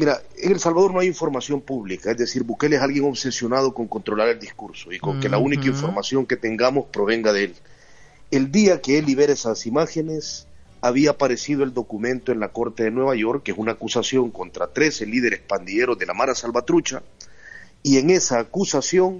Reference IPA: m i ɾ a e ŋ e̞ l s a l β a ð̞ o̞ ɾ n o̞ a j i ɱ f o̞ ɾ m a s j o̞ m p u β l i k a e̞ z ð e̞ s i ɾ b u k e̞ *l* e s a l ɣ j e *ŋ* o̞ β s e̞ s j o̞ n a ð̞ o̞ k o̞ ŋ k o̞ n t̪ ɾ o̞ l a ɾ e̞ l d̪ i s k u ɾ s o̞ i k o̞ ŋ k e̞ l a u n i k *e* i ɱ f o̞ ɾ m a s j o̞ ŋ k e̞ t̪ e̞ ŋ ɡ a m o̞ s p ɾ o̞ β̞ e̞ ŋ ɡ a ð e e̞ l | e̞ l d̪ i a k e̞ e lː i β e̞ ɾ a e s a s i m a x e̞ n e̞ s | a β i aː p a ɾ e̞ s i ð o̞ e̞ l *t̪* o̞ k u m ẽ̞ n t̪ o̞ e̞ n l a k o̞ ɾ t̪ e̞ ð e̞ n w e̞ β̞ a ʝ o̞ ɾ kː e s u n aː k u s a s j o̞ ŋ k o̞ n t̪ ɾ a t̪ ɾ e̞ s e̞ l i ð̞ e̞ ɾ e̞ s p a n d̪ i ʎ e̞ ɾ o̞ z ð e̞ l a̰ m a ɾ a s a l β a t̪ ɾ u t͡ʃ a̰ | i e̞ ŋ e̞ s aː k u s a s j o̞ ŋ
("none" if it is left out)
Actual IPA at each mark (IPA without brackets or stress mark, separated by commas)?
l, ŋ, a, d̪